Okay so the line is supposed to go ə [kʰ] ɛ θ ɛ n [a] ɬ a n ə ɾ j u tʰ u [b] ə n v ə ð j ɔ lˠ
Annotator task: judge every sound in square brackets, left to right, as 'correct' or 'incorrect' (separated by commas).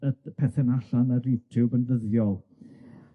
incorrect, correct, correct